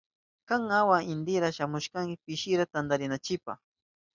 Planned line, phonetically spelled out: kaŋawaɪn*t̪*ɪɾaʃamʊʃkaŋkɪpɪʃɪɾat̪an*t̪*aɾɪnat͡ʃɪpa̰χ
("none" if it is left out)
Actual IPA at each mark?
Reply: d̪, d̪

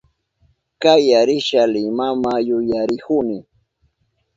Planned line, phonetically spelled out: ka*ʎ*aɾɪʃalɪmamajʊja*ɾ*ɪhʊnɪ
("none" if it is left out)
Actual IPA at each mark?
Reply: j, ɾ

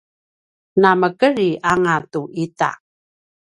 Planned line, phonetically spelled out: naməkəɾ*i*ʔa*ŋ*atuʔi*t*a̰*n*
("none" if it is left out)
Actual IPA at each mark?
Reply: i, ŋ, t, none

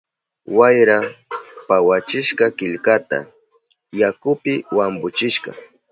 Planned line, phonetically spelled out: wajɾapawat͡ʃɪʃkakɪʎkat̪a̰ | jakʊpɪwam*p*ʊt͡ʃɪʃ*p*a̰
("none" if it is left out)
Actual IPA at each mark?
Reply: b, k

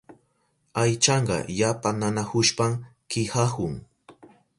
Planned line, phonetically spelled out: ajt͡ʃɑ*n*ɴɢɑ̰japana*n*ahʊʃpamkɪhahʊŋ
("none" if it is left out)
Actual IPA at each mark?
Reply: none, n

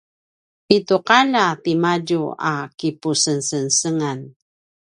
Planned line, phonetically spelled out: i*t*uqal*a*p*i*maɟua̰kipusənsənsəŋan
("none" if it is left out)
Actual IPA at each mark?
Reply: t, a, i

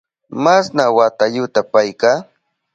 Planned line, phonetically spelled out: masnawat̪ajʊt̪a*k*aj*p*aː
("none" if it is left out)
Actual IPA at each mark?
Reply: p, k

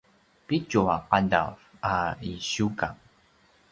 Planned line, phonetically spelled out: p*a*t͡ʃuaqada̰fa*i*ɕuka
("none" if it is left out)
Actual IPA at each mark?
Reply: i, i

